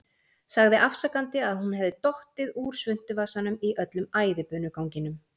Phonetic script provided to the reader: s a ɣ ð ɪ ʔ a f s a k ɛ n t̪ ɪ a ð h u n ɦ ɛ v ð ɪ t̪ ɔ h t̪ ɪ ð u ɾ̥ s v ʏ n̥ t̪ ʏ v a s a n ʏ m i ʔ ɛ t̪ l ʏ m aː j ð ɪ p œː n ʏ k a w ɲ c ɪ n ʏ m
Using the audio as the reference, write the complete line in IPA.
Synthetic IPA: s a ɣ ð ɪ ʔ a f s a k a n t̪ ɪ a ð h u n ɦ ɛ v ð ɪ t̪ ɔ h t̪ ɪ ð u ɾ̥ s v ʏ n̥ t̪ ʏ v a s a n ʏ m i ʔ œ t̪ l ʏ m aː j ð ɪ p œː n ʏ k a w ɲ c ɪ n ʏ m